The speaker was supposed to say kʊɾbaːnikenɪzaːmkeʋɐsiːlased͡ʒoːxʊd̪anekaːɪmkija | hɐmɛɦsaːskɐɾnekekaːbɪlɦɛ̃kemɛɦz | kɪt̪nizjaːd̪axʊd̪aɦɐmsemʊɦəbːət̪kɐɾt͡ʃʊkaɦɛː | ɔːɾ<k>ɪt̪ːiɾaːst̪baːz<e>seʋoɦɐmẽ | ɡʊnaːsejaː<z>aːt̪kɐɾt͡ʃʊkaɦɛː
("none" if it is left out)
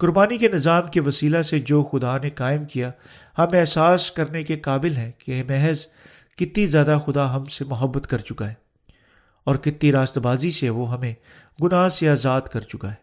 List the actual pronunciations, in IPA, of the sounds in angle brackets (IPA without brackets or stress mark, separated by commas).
k, i, z